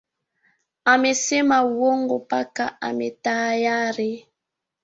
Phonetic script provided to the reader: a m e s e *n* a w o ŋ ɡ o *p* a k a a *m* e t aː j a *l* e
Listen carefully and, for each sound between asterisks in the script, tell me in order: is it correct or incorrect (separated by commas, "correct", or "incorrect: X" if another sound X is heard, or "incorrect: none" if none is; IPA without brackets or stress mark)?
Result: incorrect: m, correct, correct, incorrect: ɾ